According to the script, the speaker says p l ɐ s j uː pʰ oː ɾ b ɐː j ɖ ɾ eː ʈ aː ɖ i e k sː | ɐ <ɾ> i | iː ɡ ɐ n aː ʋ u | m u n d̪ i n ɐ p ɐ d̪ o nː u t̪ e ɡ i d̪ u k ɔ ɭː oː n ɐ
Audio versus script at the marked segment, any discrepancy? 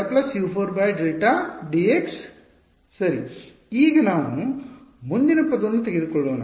no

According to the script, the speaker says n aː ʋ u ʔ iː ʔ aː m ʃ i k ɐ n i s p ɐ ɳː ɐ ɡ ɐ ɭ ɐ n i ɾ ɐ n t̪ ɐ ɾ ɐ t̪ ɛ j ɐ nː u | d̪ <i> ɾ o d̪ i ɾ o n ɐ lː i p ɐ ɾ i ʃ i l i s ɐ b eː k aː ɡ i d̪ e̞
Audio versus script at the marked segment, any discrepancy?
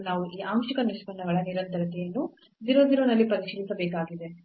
no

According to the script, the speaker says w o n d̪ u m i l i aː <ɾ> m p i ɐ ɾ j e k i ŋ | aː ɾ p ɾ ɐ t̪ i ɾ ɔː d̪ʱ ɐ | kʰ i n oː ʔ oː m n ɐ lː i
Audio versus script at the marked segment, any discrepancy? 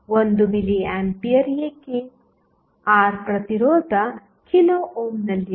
yes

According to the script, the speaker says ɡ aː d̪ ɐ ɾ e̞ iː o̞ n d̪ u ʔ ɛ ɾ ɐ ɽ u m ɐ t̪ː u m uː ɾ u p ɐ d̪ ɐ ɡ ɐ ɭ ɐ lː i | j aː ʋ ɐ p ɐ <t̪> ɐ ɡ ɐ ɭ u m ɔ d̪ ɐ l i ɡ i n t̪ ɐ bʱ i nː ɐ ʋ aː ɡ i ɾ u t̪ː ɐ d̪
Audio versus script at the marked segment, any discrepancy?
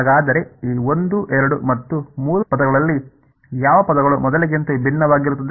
yes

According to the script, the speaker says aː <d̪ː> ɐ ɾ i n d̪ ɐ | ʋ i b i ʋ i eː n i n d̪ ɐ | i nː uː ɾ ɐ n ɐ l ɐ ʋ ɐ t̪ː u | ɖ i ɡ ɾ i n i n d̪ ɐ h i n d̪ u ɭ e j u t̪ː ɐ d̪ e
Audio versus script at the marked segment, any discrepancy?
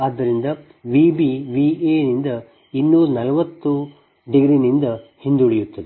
no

